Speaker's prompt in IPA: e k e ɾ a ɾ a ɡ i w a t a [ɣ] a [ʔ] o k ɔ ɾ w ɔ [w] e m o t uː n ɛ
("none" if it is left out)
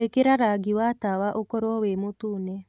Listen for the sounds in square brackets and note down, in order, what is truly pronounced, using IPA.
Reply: w, ʔ, w

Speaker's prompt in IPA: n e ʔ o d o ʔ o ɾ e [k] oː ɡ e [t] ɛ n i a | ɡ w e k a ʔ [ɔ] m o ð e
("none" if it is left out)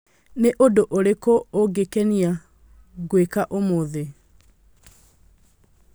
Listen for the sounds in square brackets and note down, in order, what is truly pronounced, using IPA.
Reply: k, k, o

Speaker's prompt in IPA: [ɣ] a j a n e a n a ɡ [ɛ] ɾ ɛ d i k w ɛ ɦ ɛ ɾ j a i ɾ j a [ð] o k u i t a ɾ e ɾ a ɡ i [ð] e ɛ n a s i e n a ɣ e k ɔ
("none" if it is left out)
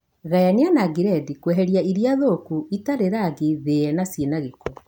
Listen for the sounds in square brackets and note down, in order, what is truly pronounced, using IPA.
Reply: ɣ, i, ð, ð

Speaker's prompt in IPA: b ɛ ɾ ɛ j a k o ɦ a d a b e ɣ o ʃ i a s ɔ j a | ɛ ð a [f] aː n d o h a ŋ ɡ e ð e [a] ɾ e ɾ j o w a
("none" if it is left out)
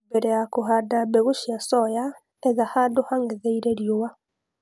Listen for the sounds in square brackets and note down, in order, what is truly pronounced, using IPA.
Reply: h, i

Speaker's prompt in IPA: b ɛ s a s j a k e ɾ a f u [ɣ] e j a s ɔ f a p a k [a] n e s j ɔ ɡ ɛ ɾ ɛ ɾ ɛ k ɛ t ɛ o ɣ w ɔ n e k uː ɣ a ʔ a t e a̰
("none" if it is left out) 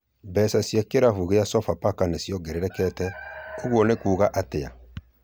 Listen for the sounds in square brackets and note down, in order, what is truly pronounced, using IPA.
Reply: ɣ, a

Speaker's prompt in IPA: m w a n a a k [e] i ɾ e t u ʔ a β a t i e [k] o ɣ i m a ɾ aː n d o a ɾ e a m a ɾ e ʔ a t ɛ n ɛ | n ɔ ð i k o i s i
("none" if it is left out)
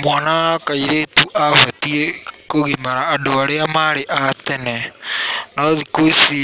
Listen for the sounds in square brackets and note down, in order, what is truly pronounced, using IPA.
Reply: a, k

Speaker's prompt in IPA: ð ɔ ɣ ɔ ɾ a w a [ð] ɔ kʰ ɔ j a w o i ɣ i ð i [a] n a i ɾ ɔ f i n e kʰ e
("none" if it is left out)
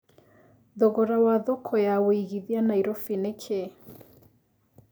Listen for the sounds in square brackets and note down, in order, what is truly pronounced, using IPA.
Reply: ð, a

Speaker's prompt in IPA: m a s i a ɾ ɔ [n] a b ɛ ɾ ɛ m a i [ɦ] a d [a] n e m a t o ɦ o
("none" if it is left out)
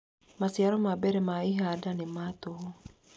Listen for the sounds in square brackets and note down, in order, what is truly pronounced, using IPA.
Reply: m, ɦ, a

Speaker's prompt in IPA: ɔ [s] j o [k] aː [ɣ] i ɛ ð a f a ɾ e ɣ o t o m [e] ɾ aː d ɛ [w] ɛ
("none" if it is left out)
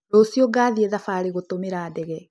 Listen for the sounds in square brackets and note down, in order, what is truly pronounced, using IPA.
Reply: s, ɡ, ð, e, ɣ

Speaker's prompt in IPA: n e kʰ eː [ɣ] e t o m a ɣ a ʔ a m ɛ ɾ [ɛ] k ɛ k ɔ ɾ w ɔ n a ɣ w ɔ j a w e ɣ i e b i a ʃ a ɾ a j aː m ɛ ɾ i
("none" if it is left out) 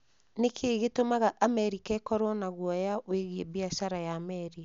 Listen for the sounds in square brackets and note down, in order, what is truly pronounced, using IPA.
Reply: ɣ, i

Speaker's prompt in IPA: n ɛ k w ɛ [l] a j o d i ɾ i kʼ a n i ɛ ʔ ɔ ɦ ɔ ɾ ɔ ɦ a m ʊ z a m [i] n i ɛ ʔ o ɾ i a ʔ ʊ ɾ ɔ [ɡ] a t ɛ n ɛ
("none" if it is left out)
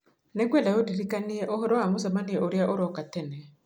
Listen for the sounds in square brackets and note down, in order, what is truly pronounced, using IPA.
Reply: l, a, k

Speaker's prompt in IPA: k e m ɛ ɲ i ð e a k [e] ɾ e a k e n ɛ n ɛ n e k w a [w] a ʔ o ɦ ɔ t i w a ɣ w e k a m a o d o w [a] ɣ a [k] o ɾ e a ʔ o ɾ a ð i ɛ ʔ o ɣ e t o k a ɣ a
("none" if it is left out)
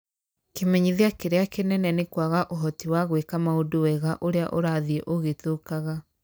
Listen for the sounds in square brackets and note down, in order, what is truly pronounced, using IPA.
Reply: e, ɣ, ɛ, ʔ

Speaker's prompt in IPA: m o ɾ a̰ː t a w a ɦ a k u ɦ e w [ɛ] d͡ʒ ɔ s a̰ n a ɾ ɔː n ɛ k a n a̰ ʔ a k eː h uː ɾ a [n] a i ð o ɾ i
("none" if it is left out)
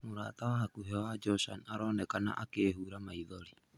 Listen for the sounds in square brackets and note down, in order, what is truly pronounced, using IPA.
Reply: a, m

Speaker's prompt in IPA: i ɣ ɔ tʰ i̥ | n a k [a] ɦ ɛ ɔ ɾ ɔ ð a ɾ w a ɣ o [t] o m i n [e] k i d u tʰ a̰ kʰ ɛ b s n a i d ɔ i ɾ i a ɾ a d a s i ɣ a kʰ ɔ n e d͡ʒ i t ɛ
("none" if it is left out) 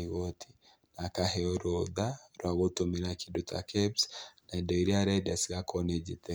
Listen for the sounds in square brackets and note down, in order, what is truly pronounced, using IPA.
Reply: a, t, a

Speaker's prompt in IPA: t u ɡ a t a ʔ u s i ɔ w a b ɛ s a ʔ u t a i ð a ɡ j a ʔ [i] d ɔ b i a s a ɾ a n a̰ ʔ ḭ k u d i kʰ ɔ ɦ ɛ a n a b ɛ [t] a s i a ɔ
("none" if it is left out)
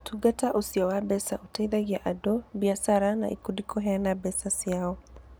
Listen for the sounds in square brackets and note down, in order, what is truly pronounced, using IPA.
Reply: a, s

